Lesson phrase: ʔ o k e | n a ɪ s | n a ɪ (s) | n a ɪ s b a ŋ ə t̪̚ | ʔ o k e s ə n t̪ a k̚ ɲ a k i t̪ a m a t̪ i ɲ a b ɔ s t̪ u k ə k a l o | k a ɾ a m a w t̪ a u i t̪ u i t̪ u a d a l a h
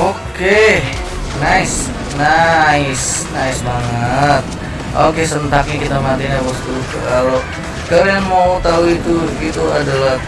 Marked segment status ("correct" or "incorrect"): correct